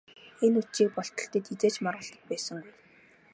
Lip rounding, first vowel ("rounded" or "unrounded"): unrounded